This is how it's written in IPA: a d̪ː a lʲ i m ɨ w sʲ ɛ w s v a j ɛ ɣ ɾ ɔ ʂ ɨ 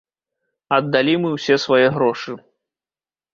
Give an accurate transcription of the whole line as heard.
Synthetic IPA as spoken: ɐ d̪ː a lʲ i m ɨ w sʲ ɛ s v a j ɛ ɣ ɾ ɔ ʂ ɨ